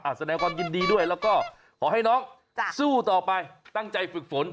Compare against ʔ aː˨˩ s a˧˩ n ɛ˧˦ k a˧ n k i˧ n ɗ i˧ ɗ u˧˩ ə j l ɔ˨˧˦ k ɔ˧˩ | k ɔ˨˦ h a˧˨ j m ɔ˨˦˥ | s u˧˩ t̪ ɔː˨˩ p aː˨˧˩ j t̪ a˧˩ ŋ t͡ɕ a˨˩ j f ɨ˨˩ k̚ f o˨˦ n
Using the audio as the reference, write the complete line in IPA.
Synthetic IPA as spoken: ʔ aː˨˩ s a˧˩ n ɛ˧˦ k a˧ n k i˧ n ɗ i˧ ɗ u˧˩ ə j l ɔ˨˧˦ k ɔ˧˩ | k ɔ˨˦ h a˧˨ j n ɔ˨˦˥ | s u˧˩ t̪ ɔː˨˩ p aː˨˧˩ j t̪ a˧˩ ŋ t͡ɕ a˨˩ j f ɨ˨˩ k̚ f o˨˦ n